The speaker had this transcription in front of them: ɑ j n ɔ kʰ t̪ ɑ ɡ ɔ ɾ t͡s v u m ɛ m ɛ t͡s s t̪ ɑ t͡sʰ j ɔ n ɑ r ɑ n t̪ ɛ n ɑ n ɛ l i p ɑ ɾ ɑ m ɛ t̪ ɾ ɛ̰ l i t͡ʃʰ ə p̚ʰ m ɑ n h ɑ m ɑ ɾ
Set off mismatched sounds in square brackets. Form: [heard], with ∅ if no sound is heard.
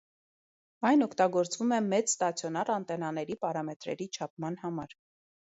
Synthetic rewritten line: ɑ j n ɔ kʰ t̪ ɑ ɡ ɔ ɾ t͡s v u m ɛ m ɛ t͡s s t̪ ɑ t͡sʰ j ɔ n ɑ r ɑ n t̪ ɛ n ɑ n ɛ [ɾ] i p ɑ ɾ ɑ m ɛ t̪ ɾ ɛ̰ [ɾ] i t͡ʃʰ [ɑ] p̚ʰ m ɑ n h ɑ m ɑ ɾ